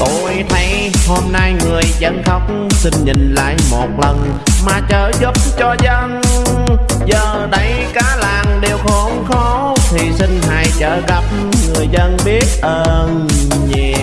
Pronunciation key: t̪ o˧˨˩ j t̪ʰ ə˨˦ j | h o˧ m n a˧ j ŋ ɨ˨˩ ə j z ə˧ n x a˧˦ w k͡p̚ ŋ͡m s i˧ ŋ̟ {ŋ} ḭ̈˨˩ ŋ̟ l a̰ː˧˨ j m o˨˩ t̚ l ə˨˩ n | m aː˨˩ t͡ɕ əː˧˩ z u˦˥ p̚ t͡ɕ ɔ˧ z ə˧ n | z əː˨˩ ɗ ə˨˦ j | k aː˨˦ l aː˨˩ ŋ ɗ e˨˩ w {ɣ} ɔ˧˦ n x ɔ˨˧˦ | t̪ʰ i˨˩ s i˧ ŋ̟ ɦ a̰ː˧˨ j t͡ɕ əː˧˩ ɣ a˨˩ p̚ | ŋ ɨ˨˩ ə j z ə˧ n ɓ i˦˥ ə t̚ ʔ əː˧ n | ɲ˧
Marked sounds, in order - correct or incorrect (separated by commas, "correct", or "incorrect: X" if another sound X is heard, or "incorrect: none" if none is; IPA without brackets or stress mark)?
incorrect: ɲ, incorrect: x